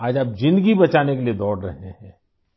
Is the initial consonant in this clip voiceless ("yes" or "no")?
no